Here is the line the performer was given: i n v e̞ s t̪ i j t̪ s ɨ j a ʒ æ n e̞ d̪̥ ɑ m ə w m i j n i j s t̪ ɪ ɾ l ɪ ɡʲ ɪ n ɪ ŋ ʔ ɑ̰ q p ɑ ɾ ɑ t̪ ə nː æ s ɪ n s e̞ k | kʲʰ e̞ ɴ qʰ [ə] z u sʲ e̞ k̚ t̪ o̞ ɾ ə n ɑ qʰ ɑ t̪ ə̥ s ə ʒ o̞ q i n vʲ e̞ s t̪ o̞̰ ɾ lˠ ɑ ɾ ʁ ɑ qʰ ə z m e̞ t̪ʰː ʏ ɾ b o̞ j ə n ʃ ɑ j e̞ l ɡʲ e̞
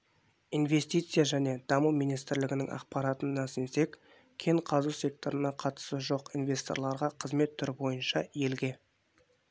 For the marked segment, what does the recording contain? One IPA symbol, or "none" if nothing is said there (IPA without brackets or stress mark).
ɑ